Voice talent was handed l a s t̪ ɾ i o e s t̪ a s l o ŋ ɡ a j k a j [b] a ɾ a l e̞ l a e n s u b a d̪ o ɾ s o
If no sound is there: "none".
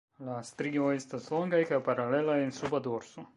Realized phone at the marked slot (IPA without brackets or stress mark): p